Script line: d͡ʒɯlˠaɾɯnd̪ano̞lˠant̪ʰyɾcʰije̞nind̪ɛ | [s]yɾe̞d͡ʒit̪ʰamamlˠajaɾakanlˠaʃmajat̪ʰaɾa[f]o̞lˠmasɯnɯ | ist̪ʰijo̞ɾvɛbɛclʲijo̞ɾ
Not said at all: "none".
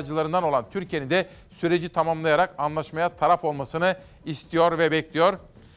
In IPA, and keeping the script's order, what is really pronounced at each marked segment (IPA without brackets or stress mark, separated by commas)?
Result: s, f